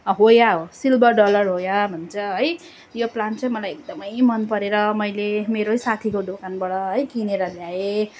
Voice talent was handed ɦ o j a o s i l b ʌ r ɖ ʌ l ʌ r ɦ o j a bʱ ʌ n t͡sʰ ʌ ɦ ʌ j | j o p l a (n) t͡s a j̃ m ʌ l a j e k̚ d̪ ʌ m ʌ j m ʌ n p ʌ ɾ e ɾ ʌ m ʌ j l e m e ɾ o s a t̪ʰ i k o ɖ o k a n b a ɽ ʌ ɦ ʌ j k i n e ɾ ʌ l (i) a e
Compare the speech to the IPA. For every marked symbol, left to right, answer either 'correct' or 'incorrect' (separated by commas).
correct, incorrect